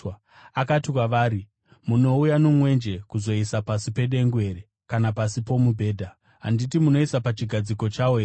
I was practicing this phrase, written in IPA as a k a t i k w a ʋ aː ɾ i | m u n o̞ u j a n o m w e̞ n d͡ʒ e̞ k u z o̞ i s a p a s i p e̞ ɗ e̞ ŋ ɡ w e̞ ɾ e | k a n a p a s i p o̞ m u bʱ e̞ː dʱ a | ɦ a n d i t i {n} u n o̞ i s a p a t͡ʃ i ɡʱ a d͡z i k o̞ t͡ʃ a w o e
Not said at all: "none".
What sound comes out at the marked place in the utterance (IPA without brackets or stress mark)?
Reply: m